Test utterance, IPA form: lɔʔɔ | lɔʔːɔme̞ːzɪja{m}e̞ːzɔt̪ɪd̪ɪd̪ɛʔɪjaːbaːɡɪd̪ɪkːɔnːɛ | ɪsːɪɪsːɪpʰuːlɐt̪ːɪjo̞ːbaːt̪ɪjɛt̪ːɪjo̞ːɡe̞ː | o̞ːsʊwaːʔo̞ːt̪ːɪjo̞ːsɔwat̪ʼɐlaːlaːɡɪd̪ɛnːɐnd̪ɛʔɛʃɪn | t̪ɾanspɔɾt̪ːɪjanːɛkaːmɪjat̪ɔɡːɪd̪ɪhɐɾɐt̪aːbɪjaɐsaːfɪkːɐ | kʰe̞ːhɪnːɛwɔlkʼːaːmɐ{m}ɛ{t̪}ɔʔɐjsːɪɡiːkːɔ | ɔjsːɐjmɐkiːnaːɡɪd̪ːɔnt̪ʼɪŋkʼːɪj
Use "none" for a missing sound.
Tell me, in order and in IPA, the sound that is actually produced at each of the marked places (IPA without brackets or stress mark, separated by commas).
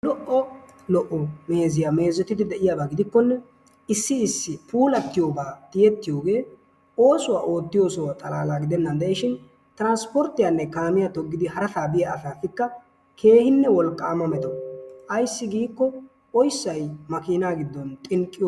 m, m, t̪